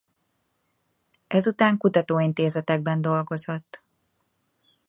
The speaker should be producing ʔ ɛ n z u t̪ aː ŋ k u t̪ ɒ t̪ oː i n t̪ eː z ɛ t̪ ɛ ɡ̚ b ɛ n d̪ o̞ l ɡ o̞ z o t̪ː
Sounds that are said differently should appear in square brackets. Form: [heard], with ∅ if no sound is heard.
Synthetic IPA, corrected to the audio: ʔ ɛ [∅] z u t̪ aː ŋ k u t̪ ɒ t̪ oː i n t̪ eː z ɛ t̪ ɛ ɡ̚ b ɛ n d̪ o̞ l ɡ o̞ z o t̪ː